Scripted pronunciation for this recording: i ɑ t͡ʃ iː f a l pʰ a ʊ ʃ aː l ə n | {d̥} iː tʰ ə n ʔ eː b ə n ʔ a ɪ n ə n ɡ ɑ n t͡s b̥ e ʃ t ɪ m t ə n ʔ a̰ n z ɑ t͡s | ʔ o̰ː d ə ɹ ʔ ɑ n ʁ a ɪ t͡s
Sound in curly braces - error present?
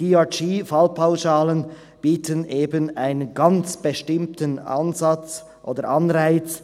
yes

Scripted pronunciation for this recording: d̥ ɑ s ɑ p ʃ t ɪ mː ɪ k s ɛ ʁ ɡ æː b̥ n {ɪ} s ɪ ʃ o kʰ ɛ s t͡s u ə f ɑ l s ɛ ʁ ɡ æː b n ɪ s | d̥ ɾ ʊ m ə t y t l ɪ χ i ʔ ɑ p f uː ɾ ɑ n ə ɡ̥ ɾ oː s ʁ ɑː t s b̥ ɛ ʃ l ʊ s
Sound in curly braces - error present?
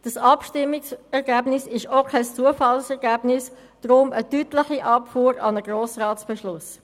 no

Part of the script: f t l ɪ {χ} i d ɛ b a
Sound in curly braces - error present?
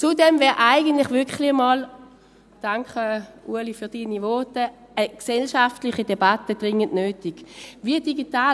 no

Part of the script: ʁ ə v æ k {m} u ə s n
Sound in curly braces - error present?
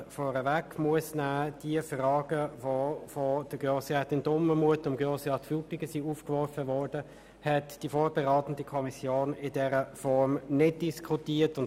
no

